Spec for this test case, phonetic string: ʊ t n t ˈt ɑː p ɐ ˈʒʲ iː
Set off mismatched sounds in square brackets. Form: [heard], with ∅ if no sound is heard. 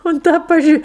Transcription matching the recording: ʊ [∅] n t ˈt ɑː p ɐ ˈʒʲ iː